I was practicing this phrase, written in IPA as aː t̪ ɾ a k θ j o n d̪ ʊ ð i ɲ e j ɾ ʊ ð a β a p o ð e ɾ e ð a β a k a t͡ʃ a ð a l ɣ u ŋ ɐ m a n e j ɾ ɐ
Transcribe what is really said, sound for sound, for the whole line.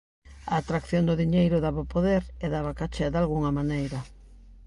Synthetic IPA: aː t̪ ɾ a k θ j o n d̪ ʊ ð i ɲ e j ɾ ʊ ð a β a p o ð e ɾ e ð a β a k a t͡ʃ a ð a l ɣ u ŋ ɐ m a n e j ɾ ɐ